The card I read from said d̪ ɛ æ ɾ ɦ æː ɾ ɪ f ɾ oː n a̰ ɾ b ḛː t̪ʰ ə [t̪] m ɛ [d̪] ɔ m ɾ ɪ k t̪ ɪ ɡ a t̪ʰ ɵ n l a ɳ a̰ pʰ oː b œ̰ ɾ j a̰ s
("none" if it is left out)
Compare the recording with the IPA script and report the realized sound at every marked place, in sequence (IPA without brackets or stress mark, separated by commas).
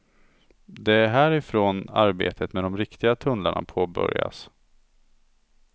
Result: t̪, d̪